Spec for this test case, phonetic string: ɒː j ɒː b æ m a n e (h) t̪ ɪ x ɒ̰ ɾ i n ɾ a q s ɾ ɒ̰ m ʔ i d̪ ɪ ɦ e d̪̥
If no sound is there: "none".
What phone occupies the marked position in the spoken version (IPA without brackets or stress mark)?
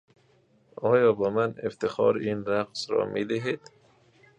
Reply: f